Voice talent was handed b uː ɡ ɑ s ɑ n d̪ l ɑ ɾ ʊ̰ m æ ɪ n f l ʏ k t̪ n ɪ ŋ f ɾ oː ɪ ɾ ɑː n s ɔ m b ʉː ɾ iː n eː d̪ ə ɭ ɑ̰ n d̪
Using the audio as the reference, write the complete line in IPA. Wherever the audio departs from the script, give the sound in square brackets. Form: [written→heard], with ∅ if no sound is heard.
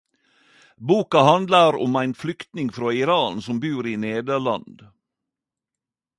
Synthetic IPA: b uː [ɡ→k] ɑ [s→h] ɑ n d̪ l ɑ ɾ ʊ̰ m æ ɪ n f l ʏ k t̪ n ɪ ŋ f ɾ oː ɪ ɾ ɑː n s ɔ m b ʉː ɾ iː n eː d̪ ə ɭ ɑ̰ n d̪

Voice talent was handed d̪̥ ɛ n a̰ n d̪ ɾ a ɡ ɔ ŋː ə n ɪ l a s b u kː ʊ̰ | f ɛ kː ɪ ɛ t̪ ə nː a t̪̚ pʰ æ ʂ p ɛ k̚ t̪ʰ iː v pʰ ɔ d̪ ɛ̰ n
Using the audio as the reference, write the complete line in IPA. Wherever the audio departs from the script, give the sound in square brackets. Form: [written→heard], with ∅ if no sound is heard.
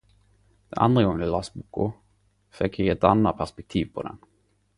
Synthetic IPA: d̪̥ ɛ n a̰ n d̪ ɾ a ɡ ɔ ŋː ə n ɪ l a s b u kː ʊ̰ | f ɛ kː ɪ ɛ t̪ [ə→a] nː a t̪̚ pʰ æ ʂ p ɛ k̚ t̪ʰ iː v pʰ ɔ d̪ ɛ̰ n

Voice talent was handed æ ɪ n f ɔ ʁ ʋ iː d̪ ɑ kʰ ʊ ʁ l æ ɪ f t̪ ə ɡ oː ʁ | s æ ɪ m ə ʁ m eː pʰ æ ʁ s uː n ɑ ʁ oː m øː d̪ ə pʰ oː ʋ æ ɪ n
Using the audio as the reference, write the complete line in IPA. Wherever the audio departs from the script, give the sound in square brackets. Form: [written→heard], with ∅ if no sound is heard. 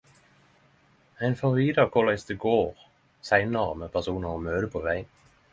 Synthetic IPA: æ ɪ n f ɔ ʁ ʋ iː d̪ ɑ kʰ ʊ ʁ l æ ɪ [f→s] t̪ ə ɡ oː ʁ | s æ ɪ [m→n] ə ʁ m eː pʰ æ ʁ s uː n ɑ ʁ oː m øː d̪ ə pʰ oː ʋ æ ɪ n

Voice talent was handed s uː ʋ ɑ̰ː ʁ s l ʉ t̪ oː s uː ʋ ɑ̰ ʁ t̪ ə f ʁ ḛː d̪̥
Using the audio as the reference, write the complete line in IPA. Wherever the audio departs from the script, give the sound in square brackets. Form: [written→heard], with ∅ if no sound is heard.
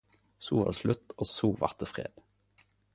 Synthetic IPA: s uː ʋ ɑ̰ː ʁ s l ʉ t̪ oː s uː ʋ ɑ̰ ʁ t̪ ə f ʁ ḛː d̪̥

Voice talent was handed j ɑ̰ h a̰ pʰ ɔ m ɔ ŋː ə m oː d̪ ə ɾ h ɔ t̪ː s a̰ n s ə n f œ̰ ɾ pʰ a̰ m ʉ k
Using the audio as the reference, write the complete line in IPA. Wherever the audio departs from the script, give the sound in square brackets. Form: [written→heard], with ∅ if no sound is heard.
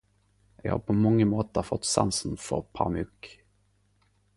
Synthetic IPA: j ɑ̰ h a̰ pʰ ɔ m ɔ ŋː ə m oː [d̪→t̪] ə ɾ [h→f] ɔ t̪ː s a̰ n s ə n f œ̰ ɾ pʰ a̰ m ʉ k

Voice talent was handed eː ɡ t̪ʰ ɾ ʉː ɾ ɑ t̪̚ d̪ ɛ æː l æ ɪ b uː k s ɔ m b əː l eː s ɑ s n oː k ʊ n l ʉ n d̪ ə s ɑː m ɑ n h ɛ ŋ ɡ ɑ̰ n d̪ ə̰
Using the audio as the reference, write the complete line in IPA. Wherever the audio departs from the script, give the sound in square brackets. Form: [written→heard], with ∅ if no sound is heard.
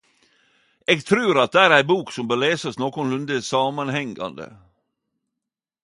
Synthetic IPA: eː ɡ t̪ʰ ɾ ʉː ɾ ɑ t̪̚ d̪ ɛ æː [l→ɾ] æ ɪ b uː k s ɔ m b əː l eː s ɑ s n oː k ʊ n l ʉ n d̪ ə s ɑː m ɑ n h ɛ ŋ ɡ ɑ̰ n d̪ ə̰

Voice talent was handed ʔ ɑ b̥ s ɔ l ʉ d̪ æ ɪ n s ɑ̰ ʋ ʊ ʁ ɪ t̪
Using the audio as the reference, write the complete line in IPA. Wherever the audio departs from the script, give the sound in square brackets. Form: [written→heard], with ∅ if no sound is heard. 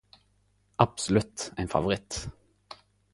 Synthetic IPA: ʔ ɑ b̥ s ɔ l ʉ [d̪→t̪] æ ɪ n [s→f] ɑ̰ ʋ ʊ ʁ ɪ t̪

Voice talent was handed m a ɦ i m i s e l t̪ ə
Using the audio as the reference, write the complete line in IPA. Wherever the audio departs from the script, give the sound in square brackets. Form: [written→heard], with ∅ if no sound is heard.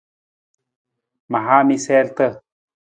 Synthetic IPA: m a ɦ [i→a] m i s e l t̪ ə

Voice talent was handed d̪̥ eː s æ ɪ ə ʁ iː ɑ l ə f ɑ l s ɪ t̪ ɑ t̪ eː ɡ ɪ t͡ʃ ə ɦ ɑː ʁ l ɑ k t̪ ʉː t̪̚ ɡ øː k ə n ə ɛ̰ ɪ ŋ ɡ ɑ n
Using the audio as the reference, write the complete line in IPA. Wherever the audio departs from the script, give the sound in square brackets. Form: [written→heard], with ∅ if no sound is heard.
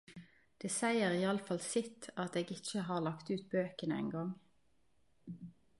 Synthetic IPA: d̪̥ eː s æ ɪ ə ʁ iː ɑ l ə f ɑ l s ɪ t̪ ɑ t̪ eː ɡ ɪ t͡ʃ ə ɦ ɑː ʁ l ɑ k t̪ ʉː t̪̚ [ɡ→b] øː k ə n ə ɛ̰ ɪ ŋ ɡ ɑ [n→ŋ]

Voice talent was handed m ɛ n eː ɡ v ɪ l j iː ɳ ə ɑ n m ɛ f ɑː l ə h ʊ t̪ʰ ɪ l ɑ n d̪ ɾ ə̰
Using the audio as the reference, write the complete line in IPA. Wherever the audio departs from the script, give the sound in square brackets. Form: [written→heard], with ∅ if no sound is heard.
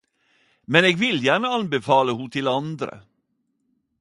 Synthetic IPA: m ɛ n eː ɡ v ɪ l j [iː→æː] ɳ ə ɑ n [m→b] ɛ f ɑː l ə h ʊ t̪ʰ ɪ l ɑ n d̪ ɾ ə̰

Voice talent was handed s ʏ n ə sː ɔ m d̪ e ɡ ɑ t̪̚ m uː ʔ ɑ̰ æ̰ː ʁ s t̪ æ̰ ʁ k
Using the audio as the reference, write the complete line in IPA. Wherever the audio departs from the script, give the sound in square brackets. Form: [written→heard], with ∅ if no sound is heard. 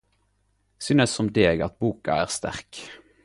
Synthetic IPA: s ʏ n ə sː ɔ m d̪ e ɡ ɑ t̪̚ [m→b] uː [ʔ→k] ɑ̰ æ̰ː ʁ s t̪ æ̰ ʁ k

